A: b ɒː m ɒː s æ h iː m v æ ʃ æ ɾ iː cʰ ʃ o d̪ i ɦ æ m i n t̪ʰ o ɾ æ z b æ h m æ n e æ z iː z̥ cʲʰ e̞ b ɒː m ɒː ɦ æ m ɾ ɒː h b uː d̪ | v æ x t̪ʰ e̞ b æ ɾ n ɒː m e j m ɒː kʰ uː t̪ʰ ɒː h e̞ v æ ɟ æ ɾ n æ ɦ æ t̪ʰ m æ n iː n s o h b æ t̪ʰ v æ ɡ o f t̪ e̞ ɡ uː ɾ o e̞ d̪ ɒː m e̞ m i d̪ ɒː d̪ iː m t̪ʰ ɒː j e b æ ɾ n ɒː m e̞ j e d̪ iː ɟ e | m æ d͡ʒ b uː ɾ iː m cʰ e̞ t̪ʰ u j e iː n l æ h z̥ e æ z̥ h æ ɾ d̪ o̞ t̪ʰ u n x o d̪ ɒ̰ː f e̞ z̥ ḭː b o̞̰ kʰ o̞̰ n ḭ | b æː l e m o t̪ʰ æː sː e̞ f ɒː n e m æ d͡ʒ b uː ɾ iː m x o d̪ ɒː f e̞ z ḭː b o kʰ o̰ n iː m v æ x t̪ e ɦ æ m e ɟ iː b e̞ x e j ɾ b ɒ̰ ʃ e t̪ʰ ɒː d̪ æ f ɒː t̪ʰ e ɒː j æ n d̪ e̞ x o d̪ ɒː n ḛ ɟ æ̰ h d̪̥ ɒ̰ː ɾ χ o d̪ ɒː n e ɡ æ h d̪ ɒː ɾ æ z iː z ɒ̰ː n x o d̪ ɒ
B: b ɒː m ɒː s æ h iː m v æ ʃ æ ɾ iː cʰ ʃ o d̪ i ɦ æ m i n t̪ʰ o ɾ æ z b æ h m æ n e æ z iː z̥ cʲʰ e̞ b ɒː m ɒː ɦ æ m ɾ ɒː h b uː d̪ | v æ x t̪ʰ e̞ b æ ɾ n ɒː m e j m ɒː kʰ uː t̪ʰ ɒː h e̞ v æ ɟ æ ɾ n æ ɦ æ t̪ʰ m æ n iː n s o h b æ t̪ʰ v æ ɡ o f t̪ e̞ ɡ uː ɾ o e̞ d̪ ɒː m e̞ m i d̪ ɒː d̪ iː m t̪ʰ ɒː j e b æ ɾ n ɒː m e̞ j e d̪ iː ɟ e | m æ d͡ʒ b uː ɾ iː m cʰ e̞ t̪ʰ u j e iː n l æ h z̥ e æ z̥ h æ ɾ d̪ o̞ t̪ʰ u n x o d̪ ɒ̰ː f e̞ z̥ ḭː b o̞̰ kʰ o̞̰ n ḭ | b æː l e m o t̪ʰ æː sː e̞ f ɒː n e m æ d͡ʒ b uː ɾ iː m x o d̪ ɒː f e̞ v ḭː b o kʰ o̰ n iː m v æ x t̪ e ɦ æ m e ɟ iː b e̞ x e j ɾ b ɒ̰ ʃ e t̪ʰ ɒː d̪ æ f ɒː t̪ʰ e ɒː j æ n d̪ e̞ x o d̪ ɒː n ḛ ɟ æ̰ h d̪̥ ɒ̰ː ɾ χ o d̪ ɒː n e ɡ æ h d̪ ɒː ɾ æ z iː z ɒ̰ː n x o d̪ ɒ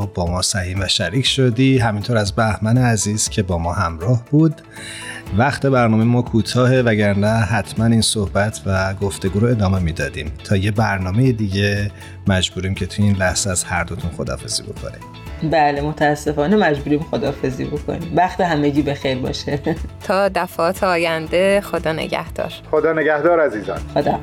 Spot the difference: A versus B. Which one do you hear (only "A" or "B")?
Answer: A